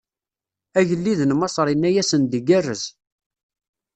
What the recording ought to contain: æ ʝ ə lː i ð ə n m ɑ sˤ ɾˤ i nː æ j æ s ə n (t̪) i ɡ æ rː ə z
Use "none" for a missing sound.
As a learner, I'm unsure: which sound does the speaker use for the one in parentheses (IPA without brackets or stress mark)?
d̪